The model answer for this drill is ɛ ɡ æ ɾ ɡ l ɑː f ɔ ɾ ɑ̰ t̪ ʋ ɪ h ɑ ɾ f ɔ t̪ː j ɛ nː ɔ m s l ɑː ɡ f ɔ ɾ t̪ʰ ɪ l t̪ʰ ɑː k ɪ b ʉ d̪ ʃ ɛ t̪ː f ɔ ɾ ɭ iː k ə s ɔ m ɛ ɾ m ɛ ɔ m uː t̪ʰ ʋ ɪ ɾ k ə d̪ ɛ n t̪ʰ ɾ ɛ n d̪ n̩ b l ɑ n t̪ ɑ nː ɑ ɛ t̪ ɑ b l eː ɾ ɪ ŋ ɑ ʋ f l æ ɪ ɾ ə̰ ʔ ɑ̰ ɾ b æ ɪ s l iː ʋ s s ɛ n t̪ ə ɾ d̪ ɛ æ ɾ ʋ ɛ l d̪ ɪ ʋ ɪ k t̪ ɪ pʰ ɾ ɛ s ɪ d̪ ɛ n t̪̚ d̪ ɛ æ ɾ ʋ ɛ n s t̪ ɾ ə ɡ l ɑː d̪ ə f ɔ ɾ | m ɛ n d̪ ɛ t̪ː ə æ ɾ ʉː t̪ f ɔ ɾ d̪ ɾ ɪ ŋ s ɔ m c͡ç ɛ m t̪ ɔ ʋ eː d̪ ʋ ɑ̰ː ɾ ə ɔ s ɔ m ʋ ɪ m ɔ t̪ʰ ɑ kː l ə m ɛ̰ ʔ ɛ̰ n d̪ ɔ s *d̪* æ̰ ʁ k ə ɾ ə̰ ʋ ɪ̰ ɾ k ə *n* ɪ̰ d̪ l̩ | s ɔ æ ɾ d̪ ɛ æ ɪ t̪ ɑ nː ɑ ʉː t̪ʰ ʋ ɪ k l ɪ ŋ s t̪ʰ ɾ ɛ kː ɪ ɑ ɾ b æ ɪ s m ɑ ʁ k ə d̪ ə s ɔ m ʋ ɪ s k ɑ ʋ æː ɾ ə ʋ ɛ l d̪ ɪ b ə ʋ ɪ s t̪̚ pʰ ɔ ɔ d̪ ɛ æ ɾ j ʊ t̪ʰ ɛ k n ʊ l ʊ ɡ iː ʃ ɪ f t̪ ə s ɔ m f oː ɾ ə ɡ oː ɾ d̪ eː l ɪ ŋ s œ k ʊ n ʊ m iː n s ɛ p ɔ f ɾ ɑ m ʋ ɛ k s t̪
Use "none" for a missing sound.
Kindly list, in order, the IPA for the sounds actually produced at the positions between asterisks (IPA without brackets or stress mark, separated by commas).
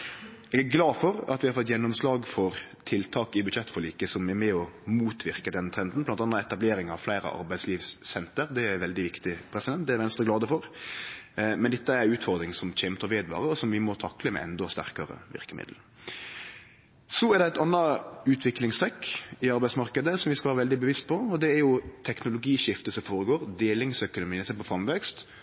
t̪, m